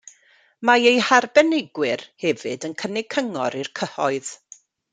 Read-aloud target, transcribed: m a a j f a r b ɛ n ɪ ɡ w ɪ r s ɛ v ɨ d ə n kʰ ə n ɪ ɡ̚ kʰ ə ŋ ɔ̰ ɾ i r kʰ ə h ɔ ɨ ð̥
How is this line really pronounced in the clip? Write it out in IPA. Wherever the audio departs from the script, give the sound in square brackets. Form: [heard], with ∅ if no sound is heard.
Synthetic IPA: m a [e] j [h] a r b ɛ n ɪ ɡ w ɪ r [h] ɛ v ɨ d ə n kʰ ə n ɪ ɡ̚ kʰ ə ŋ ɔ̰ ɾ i r kʰ ə h ɔ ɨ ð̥